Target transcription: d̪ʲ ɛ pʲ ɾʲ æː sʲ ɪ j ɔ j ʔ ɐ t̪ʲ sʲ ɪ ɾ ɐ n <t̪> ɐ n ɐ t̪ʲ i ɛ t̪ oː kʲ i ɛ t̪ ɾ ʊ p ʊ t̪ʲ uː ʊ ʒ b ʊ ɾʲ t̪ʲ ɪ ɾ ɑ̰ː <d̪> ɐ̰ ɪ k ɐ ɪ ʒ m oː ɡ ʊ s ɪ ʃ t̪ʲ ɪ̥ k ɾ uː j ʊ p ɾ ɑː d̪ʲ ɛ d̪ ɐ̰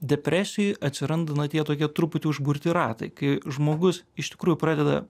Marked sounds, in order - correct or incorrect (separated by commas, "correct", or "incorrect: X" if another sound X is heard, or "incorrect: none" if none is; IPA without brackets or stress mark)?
incorrect: d̪, incorrect: t̪